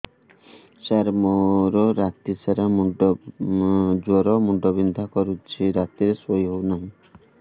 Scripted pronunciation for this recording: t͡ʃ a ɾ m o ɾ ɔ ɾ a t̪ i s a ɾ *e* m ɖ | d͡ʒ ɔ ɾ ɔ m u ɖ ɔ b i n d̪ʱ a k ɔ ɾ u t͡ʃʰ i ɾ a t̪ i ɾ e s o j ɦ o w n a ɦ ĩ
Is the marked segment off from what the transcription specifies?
yes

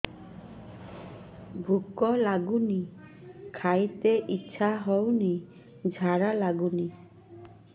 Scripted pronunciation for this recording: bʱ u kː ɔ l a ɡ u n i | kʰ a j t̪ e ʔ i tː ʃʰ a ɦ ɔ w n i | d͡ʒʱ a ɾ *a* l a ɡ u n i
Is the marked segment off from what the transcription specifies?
no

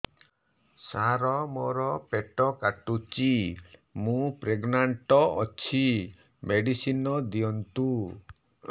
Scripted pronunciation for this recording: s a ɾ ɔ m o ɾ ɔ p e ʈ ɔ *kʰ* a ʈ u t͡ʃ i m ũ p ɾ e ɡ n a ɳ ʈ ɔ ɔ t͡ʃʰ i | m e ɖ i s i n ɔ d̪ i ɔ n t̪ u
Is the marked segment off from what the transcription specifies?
yes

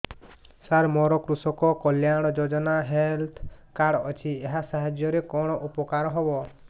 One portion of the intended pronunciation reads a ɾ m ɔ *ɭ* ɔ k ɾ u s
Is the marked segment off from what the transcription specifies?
yes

